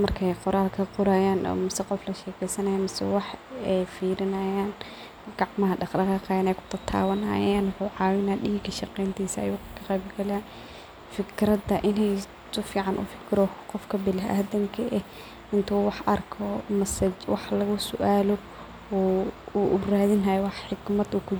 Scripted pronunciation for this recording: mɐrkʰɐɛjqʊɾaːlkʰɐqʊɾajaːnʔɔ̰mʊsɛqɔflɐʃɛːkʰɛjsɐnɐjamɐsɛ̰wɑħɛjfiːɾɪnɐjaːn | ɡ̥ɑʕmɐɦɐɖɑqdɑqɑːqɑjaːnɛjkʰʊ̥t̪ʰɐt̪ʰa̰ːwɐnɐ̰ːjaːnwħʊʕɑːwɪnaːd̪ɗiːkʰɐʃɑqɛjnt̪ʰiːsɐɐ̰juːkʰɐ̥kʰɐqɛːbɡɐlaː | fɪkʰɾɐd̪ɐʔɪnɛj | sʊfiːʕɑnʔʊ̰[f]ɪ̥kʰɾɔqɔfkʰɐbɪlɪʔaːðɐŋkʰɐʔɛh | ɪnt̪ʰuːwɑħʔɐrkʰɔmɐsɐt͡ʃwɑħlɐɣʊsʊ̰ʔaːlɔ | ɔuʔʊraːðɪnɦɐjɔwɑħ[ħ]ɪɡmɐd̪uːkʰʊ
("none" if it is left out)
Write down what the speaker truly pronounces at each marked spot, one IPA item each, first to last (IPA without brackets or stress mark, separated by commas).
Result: f, ħ